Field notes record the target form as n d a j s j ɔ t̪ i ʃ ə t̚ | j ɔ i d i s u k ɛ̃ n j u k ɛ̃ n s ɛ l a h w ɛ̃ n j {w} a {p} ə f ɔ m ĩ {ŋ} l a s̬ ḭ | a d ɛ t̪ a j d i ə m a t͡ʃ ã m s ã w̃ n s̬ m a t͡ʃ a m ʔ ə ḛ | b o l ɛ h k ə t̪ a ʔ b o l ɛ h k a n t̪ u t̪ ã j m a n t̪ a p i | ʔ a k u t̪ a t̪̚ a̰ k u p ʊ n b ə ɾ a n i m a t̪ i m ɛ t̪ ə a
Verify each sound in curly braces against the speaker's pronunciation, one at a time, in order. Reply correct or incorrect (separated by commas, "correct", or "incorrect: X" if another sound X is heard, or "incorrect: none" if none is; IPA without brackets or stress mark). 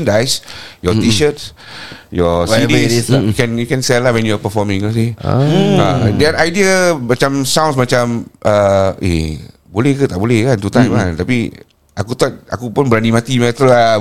incorrect: u, correct, correct